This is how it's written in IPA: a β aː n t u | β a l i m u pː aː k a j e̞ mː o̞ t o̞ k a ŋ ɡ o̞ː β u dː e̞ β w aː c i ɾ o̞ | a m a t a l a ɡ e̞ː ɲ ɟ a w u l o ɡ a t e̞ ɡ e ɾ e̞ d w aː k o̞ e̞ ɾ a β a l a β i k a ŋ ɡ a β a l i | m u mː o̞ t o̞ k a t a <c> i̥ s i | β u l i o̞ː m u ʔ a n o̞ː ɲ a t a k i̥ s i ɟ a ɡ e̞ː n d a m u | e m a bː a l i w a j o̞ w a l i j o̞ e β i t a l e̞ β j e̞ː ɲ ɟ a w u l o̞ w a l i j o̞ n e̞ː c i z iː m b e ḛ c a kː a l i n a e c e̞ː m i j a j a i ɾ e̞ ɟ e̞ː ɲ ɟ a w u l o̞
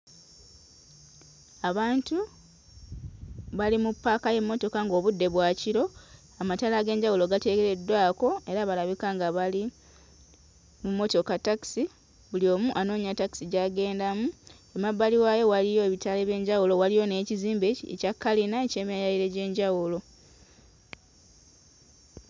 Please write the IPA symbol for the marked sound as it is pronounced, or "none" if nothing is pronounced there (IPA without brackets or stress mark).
k